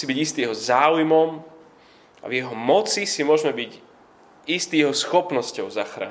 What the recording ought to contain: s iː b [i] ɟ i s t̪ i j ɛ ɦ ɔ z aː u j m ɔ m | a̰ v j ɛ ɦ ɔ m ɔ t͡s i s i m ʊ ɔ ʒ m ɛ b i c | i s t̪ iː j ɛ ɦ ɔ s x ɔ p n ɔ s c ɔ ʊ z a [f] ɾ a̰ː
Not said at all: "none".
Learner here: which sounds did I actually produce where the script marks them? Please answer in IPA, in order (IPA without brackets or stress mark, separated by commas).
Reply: i, x